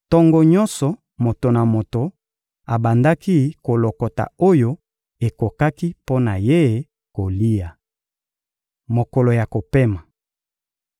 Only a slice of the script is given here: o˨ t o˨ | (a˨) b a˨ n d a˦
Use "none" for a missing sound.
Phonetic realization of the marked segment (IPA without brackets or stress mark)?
a˨